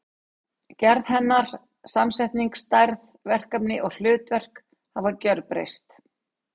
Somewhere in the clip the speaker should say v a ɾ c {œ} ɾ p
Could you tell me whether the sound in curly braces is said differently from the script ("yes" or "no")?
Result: no